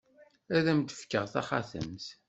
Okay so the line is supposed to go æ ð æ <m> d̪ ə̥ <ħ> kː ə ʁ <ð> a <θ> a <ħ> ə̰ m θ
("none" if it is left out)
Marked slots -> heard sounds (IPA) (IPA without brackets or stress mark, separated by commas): m, f, θ, χ, θ